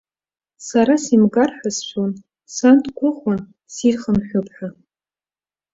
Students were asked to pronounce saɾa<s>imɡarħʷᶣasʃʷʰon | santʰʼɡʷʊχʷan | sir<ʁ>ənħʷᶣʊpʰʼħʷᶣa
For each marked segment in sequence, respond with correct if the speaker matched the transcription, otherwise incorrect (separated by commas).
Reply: correct, incorrect